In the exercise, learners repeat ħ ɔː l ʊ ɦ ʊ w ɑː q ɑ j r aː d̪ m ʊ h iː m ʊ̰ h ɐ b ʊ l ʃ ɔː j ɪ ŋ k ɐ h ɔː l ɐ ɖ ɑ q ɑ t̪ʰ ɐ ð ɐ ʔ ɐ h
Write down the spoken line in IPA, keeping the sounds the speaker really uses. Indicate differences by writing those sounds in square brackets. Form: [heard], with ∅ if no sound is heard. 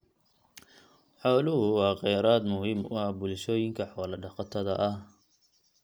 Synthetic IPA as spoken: ħ ɔː l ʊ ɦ ʊ w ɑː q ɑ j [ɾ] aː d̪ m ʊ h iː m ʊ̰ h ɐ b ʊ l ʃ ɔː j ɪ ŋ [kʰ] ɐ [ħ] ɔː l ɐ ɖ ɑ q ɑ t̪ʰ ɐ ð ɐ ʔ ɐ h